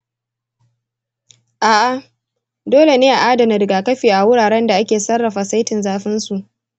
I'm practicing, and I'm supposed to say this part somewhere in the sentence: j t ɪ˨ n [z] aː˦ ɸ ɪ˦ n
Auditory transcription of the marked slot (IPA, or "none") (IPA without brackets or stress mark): z